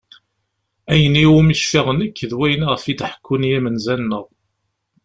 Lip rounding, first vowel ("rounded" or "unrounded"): unrounded